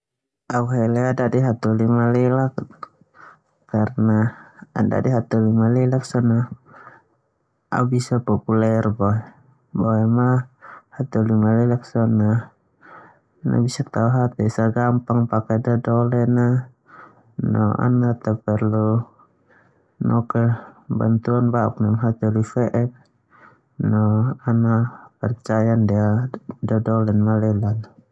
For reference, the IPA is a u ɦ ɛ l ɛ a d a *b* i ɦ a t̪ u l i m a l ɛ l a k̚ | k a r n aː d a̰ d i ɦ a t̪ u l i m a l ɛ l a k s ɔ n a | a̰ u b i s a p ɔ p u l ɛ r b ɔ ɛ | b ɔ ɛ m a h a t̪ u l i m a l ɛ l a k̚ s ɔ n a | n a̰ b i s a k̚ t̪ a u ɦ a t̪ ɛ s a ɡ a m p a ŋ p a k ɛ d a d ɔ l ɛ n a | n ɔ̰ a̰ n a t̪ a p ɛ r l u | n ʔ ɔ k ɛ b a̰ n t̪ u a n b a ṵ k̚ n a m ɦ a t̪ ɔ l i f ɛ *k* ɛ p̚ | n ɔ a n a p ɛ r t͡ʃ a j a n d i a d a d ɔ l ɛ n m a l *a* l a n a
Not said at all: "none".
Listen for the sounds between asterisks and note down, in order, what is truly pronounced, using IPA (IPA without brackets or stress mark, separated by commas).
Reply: d, ʔ, ɛ